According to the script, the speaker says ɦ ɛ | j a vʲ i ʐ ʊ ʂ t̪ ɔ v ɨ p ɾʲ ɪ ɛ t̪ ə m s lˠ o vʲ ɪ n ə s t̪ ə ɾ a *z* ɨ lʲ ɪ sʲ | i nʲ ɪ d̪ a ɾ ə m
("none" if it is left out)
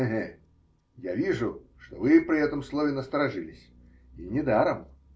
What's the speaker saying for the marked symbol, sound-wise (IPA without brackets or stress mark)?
ʐ